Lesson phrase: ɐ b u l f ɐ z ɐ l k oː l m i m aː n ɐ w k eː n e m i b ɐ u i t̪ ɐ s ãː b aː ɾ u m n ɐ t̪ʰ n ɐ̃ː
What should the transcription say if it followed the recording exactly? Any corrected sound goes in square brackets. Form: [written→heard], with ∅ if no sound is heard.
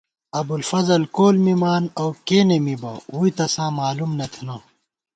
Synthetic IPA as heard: ɐ b u l f ɐ z ɐ l k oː l m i m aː n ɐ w k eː n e m i b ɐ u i t̪ ɐ s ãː [b→m] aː [ɾ→l] u m n ɐ t̪ʰ n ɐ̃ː